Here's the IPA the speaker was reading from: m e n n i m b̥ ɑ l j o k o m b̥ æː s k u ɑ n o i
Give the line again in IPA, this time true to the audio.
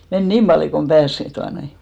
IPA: m e n n iː m b̥ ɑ l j o k o m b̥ æː s t u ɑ n o i